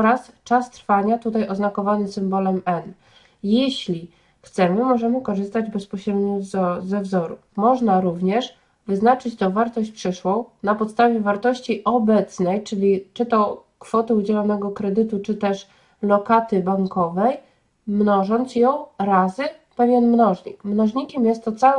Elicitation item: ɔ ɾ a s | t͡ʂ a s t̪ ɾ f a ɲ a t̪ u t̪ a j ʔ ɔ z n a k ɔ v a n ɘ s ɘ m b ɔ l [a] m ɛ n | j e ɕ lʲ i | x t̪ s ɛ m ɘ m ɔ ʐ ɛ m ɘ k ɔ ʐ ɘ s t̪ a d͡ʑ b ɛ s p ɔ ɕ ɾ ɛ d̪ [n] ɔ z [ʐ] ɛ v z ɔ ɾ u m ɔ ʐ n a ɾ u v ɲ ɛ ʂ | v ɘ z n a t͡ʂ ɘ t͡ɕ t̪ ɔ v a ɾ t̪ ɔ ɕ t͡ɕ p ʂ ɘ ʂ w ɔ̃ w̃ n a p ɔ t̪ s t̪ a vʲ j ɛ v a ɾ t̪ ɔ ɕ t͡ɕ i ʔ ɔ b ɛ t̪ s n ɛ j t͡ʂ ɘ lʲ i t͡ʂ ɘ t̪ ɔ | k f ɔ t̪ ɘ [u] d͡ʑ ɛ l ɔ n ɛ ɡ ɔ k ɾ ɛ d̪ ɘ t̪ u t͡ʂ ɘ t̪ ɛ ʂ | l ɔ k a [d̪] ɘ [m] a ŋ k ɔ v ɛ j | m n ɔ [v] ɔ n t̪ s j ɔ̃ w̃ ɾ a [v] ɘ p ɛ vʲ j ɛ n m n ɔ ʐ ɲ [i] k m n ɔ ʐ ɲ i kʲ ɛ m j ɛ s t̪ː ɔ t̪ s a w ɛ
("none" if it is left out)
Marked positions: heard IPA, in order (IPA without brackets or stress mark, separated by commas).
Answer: ɛ, ɲ, z, u, t̪, b, ʐ, z, i